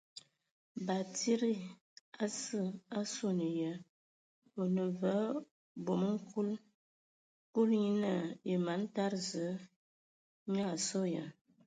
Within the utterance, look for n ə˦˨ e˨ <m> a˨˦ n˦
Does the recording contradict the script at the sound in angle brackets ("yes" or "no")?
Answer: no